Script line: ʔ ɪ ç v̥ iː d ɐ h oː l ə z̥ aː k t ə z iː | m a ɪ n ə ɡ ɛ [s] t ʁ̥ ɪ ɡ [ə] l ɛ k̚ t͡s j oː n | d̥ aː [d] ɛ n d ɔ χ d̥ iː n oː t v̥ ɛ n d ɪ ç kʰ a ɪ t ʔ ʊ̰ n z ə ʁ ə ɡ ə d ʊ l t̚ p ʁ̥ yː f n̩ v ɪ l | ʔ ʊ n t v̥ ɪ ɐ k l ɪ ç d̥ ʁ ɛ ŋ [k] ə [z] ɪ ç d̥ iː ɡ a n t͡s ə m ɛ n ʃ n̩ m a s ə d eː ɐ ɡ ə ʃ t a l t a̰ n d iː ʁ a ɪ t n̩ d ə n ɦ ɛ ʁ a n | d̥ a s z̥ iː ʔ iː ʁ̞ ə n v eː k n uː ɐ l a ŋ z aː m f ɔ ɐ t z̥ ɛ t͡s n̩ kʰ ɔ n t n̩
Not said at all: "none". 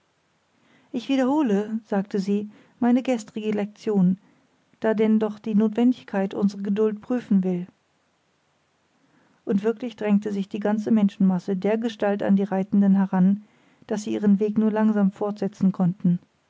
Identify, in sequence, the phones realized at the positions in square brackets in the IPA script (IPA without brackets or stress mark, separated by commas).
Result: s, ə, d, t, z